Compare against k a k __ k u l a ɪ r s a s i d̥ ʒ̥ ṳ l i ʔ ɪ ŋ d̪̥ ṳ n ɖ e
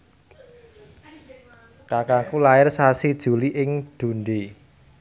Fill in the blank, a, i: a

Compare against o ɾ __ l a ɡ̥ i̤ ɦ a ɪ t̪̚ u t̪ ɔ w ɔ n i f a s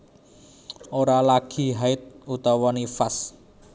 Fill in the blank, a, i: a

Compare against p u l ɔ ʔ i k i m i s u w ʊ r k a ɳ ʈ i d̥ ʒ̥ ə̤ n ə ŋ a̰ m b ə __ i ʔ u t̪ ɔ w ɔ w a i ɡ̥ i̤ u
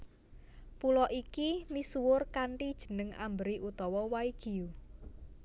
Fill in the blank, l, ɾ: ɾ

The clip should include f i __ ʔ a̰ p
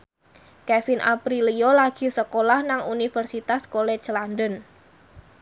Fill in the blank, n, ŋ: n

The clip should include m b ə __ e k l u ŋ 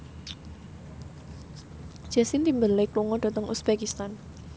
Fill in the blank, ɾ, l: l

